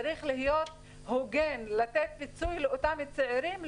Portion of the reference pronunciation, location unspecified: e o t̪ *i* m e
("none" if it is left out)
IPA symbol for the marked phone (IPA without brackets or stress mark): a